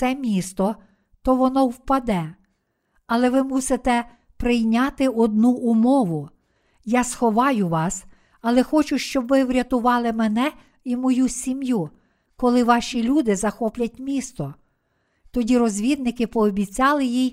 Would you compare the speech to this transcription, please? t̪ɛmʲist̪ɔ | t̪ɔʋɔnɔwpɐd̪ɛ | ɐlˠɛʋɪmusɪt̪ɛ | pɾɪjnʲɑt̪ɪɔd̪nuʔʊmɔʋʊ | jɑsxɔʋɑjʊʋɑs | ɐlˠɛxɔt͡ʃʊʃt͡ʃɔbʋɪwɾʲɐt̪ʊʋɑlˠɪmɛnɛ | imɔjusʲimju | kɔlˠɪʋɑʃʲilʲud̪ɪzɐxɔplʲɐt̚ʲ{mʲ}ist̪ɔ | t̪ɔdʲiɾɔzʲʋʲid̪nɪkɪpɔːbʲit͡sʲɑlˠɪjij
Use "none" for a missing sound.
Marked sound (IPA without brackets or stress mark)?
mʲ